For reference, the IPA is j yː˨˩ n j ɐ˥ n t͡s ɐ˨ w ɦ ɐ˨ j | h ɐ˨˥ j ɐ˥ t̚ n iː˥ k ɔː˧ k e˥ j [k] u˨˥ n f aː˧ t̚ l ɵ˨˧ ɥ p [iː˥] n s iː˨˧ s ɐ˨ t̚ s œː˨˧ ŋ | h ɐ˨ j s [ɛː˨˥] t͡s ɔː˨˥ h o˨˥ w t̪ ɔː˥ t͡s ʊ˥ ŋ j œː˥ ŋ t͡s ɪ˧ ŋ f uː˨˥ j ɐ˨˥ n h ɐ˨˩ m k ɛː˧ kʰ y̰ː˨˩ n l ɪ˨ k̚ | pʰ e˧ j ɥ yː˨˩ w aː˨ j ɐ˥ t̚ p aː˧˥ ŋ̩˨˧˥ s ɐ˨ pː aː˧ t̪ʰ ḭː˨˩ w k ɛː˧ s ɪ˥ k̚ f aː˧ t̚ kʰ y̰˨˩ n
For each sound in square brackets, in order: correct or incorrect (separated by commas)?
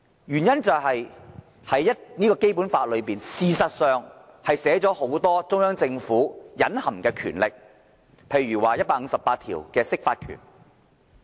incorrect, incorrect, correct